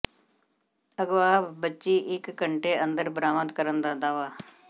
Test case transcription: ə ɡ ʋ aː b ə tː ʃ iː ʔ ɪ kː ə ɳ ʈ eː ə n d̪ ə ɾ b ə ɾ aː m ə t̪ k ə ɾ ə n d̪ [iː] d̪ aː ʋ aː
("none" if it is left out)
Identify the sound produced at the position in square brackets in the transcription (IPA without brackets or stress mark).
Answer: aː